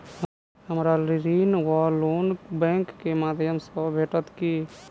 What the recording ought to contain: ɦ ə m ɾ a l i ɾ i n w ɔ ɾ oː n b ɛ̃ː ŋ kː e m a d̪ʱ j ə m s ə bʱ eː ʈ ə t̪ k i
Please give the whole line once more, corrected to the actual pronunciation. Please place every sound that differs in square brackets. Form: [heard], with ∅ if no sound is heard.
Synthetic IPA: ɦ ə m ɾ a l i ɾ i n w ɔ [l] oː n b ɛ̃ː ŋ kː e m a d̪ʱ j ə m s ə bʱ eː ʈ ə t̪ k i